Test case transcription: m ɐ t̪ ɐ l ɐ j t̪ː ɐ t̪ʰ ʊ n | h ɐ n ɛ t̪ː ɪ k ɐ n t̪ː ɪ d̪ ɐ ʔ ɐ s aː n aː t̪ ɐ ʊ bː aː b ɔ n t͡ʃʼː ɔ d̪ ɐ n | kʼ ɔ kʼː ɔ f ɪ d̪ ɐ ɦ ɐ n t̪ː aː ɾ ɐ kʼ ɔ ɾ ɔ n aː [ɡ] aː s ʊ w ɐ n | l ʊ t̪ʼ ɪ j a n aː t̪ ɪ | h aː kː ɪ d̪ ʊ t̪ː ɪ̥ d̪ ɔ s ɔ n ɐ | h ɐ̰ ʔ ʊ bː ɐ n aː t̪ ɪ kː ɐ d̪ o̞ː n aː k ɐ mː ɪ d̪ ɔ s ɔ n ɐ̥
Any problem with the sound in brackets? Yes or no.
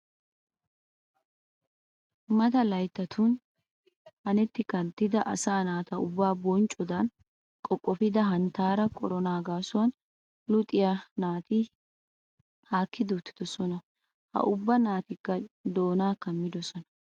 no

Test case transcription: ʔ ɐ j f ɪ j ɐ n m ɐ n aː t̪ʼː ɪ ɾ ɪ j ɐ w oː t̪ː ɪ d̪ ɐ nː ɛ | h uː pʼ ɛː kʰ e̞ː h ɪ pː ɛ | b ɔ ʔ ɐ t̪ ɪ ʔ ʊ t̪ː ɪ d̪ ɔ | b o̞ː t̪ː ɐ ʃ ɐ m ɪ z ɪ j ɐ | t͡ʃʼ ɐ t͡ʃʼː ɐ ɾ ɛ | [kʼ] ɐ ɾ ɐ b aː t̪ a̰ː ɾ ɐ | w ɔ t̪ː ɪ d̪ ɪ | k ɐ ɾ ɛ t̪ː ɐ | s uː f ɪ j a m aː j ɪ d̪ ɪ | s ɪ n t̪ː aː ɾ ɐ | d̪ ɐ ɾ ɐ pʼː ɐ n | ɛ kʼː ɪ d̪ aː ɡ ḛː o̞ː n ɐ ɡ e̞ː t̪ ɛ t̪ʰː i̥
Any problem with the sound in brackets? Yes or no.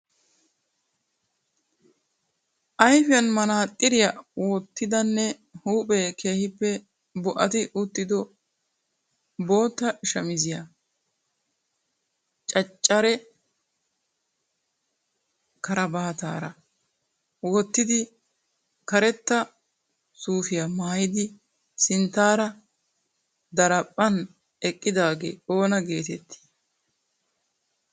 yes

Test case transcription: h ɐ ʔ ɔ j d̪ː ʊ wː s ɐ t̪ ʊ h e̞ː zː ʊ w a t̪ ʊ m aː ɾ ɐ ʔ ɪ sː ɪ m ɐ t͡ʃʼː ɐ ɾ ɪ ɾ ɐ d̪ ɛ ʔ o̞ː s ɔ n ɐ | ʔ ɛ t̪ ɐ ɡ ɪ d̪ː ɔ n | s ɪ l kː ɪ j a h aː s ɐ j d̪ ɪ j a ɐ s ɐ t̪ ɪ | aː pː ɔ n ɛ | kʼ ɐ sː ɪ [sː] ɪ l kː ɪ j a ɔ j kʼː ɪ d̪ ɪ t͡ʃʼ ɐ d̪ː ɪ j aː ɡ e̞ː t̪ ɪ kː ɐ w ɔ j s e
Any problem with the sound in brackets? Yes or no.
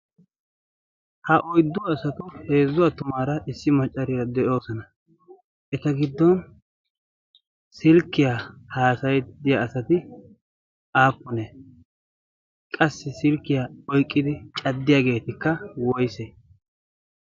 yes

